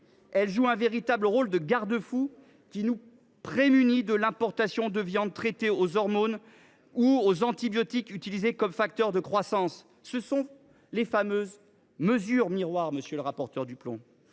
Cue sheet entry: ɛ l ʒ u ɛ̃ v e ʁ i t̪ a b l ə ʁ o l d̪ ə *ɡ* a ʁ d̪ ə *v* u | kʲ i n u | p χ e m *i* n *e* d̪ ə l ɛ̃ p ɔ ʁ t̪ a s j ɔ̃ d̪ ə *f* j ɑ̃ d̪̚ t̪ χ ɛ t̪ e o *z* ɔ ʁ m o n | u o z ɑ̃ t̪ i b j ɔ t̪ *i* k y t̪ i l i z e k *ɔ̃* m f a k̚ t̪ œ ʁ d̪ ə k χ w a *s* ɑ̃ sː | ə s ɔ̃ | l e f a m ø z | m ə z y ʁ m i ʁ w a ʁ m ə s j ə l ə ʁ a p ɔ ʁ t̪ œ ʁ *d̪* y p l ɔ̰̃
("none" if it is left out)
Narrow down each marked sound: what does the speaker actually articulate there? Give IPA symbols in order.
ɡ, f, y, i, v, z, i, ɔ, s, d̪

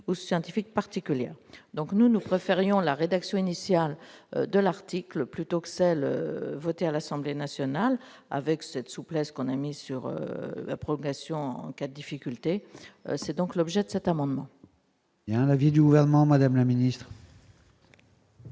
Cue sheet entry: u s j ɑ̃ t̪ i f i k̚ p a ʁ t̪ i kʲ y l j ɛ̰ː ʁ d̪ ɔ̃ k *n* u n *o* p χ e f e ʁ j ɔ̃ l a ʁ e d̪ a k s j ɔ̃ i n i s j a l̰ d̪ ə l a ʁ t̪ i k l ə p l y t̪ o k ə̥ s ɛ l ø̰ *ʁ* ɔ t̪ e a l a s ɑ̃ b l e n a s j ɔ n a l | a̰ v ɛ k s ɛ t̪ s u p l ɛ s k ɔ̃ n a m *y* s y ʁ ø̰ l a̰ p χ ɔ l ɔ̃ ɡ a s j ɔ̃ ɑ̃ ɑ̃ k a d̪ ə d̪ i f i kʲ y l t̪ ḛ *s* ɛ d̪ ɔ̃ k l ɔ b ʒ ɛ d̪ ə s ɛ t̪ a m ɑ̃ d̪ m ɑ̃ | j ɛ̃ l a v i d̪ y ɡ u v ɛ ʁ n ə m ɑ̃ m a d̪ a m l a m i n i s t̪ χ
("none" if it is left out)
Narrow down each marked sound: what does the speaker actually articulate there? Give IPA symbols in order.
n, u, v, i, s

